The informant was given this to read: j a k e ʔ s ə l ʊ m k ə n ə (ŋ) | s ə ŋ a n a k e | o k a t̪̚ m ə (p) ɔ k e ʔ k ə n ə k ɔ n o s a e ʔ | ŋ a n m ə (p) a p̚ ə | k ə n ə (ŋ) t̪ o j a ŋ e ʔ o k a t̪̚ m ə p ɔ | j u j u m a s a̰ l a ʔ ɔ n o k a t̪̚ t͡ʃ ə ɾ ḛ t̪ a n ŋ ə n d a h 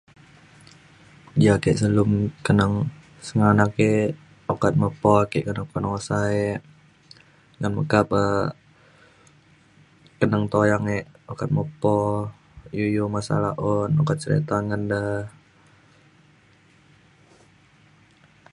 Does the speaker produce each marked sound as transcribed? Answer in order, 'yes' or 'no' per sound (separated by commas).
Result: yes, yes, no, yes